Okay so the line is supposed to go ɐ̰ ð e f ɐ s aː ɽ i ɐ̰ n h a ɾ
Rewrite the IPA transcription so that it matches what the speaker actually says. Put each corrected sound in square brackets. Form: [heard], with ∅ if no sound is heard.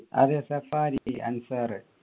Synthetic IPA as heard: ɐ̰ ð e [s] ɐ [f] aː [ɾ] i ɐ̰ n [s] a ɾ